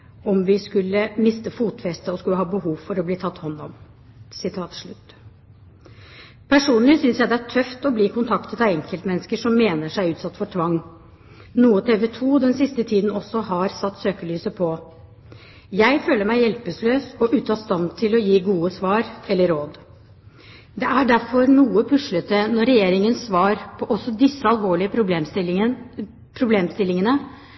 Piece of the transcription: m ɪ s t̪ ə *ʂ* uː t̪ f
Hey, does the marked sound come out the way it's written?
no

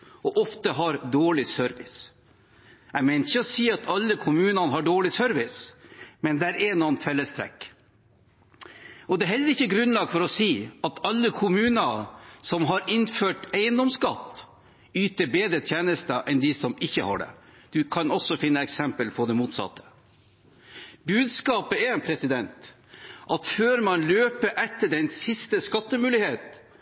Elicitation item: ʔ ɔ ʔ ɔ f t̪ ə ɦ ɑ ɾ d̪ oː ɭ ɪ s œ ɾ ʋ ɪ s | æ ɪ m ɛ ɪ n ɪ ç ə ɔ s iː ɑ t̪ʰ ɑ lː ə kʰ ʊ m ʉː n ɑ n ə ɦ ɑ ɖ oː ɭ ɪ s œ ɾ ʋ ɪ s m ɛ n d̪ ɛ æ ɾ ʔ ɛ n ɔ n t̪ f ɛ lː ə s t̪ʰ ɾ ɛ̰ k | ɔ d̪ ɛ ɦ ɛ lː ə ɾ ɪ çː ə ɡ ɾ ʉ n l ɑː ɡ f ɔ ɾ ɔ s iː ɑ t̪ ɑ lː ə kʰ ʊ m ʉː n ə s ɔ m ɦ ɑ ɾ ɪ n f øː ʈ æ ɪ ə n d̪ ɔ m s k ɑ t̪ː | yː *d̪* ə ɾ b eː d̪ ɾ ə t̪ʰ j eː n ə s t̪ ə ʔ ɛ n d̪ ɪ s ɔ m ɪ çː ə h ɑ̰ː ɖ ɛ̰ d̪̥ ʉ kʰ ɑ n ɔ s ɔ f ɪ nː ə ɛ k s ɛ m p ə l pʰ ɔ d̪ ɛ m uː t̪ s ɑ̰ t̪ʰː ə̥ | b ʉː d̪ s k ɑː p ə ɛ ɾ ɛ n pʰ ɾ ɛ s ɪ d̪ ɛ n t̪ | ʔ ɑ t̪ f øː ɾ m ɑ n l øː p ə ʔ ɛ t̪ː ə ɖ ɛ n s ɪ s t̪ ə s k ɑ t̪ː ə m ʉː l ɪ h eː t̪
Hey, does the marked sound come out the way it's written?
no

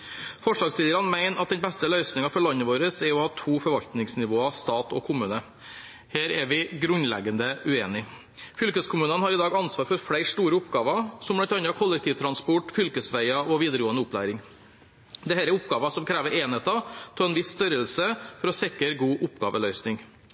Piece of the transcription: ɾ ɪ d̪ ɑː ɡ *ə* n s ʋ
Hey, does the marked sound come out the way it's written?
no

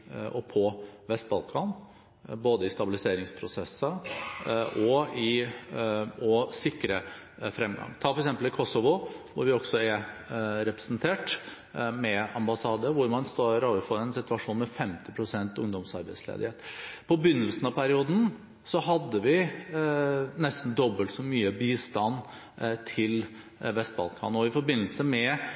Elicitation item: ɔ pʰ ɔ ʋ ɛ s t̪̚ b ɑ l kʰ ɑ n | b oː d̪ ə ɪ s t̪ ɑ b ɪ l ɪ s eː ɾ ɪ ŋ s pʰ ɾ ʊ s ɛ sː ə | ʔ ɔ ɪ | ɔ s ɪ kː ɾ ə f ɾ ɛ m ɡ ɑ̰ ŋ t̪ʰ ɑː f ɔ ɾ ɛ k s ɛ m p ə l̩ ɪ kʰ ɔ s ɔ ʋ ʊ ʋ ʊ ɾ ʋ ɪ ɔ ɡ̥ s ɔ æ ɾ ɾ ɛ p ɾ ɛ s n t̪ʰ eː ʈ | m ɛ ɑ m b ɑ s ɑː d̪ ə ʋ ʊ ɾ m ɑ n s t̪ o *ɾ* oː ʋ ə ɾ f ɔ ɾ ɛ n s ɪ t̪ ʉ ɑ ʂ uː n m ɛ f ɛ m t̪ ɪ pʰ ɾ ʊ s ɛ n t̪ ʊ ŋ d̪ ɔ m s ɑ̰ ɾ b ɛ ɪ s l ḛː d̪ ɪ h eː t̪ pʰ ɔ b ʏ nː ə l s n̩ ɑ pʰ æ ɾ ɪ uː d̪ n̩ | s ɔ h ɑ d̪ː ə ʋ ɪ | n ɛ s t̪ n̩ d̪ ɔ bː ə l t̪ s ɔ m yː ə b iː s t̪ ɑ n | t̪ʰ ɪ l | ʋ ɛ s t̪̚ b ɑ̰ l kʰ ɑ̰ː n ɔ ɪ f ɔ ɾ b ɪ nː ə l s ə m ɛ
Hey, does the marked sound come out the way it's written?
yes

